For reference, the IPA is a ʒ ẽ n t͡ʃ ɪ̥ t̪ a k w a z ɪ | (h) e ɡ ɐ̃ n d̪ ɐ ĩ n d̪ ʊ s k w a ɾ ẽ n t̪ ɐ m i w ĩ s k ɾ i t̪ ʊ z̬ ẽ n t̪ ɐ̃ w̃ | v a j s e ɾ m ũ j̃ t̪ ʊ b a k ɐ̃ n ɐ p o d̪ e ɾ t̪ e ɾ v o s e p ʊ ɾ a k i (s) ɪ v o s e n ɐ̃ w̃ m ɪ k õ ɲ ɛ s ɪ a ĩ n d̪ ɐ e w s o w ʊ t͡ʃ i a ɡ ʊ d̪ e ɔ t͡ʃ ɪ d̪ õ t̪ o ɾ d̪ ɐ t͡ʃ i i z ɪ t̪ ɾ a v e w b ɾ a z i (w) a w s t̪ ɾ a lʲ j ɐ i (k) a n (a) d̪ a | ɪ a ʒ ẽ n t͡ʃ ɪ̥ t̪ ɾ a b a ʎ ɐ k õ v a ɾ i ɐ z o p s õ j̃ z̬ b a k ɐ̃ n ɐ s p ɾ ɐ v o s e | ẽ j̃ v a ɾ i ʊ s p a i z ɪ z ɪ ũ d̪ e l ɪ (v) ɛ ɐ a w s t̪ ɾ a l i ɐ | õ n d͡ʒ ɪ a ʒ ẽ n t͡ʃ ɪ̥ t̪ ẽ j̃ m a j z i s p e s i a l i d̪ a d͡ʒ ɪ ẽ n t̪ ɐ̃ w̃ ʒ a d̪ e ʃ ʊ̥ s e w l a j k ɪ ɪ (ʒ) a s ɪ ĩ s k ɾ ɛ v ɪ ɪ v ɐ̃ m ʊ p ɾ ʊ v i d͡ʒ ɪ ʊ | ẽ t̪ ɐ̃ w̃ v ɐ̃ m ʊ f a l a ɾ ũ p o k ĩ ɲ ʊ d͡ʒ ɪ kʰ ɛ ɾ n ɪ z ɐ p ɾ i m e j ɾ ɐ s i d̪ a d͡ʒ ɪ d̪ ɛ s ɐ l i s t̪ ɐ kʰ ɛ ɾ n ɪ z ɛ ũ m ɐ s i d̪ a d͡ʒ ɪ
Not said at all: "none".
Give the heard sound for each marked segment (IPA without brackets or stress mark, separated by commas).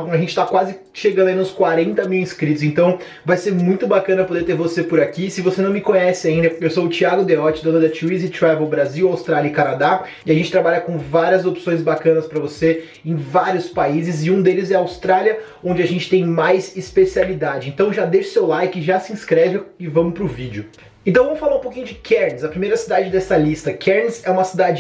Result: ʃ, s, w, k, a, z, ʒ